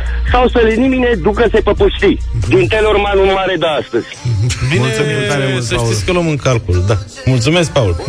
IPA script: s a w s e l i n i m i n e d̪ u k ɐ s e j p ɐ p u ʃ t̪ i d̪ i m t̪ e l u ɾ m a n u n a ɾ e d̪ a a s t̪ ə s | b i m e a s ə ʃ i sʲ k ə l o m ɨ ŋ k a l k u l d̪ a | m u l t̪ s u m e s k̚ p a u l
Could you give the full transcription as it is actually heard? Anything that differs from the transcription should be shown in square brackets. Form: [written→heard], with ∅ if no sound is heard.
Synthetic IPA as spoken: s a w s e l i n i m i n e d̪ u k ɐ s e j p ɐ p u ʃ t̪ i d̪ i [m→n] t̪ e l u ɾ m a n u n a ɾ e d̪ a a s t̪ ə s | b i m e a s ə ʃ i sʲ k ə l o m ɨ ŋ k a l k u l d̪ a | m u l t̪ s u m e s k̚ p a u l